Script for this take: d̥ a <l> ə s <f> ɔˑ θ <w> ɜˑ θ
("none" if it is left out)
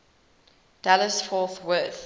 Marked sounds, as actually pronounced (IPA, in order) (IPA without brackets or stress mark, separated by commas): l, f, w